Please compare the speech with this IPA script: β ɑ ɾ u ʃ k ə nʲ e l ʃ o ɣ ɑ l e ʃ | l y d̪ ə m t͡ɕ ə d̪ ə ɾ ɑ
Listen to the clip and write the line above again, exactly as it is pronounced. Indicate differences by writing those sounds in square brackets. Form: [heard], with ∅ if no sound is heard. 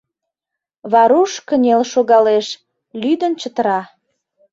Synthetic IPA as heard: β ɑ ɾ u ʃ k ə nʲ e l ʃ o ɣ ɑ l e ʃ | l y d̪ ə [n] t͡ɕ ə [t̪] ə ɾ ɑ